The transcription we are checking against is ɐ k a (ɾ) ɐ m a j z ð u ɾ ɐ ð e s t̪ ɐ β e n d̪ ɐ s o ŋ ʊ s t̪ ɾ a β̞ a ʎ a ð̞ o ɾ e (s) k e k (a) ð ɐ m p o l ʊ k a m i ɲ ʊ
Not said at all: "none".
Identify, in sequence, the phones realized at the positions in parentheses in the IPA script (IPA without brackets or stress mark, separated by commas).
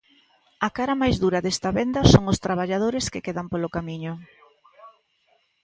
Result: ɾ, s, e